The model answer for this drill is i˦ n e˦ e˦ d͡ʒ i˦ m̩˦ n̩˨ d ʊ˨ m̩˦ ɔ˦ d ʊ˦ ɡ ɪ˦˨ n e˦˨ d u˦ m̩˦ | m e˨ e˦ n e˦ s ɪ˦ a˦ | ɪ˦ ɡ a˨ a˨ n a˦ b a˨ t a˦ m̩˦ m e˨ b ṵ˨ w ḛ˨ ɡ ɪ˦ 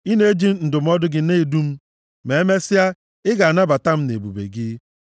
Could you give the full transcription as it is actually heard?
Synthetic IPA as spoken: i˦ n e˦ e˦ d͡ʒ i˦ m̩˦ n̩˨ d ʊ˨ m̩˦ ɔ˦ d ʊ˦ ɡ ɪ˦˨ n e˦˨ d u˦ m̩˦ | m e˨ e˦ m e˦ s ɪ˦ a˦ | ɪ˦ ɡ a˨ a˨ n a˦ b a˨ t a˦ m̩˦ n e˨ b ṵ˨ b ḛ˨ ɡ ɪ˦